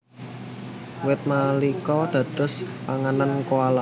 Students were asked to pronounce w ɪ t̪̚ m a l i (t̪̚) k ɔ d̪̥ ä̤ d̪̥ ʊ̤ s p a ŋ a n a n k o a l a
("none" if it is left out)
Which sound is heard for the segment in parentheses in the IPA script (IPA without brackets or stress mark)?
none